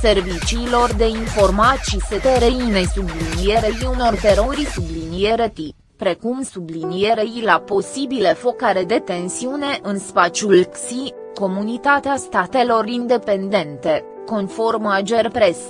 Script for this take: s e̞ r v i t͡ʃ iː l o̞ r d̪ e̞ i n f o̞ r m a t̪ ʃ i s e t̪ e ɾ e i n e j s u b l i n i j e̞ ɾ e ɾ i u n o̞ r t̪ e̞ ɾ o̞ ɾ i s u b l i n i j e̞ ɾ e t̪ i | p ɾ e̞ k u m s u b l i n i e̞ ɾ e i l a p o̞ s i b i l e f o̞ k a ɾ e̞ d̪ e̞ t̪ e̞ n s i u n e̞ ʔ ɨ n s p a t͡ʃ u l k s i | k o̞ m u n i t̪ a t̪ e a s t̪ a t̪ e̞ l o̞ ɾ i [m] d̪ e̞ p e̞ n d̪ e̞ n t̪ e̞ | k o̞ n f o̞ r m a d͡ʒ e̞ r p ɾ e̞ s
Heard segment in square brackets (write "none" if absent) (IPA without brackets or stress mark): n